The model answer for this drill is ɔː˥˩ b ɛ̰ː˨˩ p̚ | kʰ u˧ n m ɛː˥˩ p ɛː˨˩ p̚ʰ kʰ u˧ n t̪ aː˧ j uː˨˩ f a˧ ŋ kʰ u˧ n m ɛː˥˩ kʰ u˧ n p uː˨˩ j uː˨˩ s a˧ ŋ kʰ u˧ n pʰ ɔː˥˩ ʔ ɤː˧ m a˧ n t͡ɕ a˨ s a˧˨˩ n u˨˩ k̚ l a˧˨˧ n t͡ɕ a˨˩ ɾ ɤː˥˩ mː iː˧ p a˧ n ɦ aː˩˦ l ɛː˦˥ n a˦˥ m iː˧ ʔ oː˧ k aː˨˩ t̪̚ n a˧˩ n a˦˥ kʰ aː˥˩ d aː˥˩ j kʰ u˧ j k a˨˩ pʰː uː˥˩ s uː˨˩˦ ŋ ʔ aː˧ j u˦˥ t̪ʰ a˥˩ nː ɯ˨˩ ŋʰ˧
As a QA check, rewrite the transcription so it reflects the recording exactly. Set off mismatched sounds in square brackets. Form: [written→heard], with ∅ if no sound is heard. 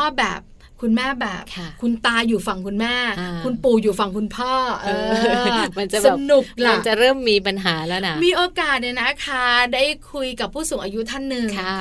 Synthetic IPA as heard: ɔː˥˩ b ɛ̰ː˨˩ p̚ | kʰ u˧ n m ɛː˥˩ [p→b] ɛː˨˩ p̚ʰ kʰ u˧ n t̪ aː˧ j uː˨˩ f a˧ ŋ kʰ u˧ n m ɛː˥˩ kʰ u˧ n p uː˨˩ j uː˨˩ [s→f] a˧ ŋ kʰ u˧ n pʰ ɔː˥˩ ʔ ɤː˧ m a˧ n t͡ɕ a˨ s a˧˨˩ n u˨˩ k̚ l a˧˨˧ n t͡ɕ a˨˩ ɾ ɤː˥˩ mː iː˧ p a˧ n ɦ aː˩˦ l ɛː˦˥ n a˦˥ m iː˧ ʔ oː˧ k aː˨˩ t̪̚ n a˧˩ n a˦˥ kʰ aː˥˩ d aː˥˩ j kʰ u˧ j k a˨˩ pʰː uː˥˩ s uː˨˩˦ ŋ ʔ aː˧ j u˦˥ t̪ʰ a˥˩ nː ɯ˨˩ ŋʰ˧